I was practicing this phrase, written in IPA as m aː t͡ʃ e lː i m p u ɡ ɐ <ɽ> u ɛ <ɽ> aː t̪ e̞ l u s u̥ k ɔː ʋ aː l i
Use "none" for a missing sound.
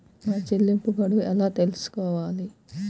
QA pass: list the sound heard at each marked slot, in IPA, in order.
ɽ, l

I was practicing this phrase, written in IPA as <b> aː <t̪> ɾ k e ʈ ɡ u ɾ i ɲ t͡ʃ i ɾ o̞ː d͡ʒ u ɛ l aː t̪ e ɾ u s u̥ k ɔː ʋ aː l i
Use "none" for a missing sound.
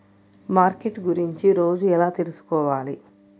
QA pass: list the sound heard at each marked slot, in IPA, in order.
m, none

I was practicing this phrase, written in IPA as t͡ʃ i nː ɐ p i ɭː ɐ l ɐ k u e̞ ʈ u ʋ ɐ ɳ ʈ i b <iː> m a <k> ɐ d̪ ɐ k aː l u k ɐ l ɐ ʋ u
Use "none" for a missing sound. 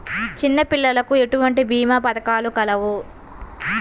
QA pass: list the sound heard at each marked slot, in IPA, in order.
iː, p

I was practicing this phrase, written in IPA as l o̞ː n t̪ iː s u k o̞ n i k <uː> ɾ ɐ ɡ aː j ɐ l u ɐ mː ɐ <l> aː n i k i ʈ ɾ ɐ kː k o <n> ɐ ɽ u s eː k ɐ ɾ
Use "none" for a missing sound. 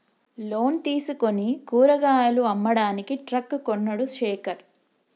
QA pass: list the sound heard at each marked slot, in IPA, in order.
uː, ɽ, nː

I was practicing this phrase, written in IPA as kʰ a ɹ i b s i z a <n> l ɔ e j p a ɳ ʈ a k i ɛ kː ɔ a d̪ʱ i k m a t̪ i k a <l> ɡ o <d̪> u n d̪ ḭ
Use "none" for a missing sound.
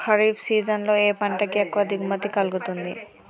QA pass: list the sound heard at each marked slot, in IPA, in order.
n, l, t̪

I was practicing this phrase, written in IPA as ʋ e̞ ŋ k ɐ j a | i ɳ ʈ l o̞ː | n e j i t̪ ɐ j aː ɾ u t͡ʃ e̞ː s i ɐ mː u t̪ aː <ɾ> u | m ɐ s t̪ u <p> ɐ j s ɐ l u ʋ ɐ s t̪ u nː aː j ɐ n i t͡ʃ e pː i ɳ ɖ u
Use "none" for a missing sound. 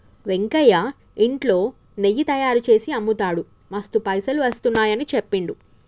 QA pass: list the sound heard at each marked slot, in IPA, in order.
ɽ, p

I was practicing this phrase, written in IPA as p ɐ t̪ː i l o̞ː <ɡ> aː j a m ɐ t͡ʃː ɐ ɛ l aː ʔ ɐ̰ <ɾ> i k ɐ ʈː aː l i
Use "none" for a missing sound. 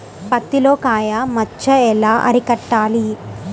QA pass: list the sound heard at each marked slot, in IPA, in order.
k, ɾ

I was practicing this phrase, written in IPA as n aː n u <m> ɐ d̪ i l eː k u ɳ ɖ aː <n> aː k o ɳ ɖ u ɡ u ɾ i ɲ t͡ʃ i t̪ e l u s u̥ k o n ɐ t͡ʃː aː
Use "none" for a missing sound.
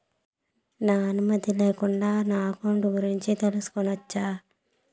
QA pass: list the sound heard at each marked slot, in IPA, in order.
m, n

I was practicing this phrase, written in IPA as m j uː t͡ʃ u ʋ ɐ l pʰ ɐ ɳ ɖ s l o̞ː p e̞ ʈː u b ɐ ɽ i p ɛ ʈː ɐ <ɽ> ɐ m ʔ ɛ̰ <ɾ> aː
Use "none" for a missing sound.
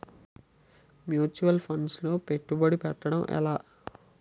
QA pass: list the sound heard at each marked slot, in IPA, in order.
ɽ, l

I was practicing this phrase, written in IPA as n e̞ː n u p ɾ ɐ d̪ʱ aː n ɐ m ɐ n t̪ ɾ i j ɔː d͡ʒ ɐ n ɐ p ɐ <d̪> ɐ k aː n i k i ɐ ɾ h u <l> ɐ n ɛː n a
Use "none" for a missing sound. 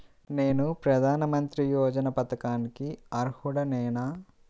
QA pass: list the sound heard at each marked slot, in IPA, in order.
t̪, ɽ

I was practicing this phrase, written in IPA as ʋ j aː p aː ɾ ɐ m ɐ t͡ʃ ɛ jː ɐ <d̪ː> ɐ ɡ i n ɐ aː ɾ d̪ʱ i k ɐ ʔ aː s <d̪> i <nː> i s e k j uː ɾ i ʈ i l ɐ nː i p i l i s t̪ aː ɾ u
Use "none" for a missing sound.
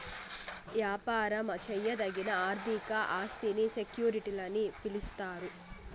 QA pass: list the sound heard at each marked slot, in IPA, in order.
d̪, t̪, n

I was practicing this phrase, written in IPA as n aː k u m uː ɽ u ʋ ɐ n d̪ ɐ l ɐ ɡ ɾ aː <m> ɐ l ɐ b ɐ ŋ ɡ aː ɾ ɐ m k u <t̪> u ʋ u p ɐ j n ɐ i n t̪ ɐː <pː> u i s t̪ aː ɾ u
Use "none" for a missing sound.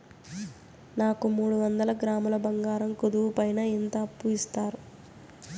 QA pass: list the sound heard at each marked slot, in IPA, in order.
m, d̪, pː

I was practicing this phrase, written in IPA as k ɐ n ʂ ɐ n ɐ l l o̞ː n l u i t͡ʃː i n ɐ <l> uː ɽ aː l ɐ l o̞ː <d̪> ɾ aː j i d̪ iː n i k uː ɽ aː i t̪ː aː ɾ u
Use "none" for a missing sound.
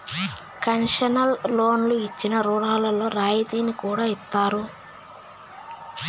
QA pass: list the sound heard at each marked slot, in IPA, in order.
ɾ, none

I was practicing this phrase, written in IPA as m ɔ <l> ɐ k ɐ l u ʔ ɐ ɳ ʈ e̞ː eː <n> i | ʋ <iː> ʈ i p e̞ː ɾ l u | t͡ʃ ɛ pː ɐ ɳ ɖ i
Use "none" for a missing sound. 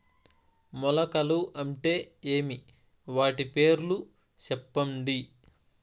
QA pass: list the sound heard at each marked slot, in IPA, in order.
l, m, aː

